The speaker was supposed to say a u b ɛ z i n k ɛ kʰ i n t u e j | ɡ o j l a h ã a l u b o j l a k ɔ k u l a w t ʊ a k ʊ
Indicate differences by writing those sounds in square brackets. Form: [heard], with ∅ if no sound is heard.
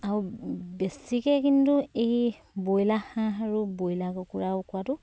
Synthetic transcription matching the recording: a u b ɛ [s] i [∅] k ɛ [k] i n t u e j | [b] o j l a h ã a [ɹ] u b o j l a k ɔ k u [ɹ] a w [k] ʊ a [t] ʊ